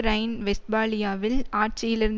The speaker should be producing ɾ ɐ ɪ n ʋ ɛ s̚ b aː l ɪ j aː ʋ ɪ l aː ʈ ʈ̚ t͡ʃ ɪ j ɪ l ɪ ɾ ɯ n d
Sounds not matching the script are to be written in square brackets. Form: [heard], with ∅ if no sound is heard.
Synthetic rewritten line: ɾ ɐ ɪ n ʋ ɛ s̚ b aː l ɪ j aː ʋ ɪ l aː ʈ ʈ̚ t͡ʃ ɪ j ɪ l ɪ ɾ ɯ n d